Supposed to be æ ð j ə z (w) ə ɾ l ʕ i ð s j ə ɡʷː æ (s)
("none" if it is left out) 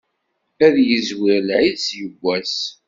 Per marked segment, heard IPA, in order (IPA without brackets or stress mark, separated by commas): w, s